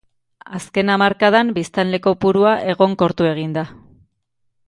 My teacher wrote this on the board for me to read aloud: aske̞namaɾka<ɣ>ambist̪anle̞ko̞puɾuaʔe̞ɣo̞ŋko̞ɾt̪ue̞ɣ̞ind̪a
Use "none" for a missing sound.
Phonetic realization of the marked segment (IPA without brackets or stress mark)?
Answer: ð